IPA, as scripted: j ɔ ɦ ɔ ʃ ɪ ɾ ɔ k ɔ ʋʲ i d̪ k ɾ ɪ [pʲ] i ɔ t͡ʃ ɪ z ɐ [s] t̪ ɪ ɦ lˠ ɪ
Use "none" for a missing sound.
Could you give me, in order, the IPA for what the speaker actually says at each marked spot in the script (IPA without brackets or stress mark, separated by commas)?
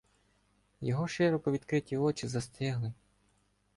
tʲ, s